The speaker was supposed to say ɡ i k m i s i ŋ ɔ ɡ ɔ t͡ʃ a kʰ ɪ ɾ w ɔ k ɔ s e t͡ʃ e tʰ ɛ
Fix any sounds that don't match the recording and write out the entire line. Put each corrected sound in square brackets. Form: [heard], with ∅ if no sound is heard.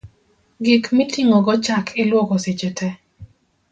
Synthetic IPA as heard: ɡ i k m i [t] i ŋ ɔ ɡ ɔ t͡ʃ a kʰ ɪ [l] w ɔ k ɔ s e t͡ʃ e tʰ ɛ

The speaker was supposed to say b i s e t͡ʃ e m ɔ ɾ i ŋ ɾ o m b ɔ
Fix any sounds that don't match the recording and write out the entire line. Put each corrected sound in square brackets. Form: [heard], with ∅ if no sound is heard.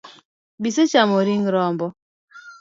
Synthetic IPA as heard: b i s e t͡ʃ [a] m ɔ ɾ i ŋ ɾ [ɔ] m b ɔ

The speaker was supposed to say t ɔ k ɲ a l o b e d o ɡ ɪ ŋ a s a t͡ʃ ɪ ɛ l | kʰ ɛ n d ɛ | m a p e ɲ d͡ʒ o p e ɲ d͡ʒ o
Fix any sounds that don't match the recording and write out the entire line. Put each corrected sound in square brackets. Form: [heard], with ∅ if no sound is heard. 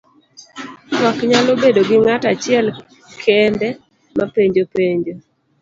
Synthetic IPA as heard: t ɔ k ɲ a l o b e d o ɡ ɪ ŋ a [t] a t͡ʃ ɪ ɛ l | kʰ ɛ n d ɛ | m a p e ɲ d͡ʒ o p e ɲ d͡ʒ o

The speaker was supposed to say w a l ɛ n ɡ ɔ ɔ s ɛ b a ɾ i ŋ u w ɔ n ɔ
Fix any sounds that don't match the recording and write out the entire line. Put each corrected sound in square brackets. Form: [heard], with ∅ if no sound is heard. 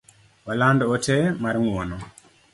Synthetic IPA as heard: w a l [a] n [d] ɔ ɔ [t] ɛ [m] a ɾ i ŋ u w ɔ n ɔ

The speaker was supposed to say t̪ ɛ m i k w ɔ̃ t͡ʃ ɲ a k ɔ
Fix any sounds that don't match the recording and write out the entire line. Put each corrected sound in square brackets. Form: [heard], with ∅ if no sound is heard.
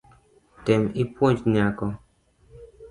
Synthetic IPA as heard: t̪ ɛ m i [p] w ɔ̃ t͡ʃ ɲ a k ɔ

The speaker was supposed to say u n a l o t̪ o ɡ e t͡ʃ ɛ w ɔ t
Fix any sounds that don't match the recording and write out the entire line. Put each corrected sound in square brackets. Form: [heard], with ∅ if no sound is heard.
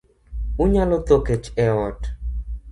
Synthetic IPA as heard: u [ɲ] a l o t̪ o [k] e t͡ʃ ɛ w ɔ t

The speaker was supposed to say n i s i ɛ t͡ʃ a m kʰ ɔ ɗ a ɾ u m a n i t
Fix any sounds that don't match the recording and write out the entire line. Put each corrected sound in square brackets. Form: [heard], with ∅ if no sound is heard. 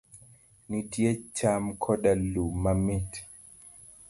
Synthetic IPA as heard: n i [t] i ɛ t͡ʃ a m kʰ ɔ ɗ a [l] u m a [m] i t

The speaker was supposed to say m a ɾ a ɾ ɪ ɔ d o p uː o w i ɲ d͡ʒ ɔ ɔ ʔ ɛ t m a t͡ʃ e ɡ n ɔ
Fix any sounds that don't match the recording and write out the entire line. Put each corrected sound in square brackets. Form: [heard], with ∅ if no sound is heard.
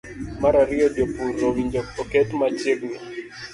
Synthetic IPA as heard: m a ɾ a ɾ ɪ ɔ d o p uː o w i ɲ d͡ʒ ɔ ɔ [k] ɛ t m a t͡ʃ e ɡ n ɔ

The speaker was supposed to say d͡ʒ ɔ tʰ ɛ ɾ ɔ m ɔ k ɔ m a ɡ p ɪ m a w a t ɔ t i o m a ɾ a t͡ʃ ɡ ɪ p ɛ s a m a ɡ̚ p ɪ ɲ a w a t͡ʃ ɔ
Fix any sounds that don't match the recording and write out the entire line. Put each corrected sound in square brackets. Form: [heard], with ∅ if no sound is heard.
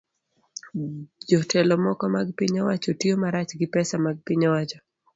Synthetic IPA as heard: d͡ʒ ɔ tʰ ɛ [l] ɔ m ɔ k ɔ m a ɡ p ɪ [ɲ] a w a [t͡ʃ] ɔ t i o m a ɾ a t͡ʃ ɡ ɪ p ɛ s a m a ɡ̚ p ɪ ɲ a w a t͡ʃ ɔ

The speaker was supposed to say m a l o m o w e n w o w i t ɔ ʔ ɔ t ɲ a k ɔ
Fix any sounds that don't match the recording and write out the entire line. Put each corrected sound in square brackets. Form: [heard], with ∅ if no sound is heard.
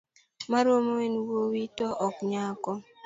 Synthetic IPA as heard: m a [ɾ] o m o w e n w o w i t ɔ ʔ ɔ [k] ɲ a k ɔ

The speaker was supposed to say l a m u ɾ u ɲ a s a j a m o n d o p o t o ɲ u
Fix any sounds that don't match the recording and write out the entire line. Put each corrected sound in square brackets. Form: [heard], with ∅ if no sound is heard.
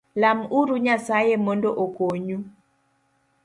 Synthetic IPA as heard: l a m u ɾ u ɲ a s a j [e] m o n d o [ʔ] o [k] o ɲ u

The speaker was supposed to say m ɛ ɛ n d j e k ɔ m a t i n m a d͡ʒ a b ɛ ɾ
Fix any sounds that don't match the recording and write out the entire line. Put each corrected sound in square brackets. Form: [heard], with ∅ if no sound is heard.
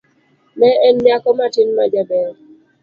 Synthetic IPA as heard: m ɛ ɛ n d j [a] k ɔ m a t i n m a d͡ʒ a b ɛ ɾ

